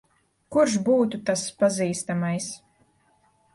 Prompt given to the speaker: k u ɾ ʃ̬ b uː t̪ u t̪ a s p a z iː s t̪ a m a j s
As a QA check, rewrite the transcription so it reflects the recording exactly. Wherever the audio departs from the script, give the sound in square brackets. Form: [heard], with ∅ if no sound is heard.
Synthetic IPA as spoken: k u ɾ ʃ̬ b uː t̪ u t̪ a s p a z iː s t̪ a m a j s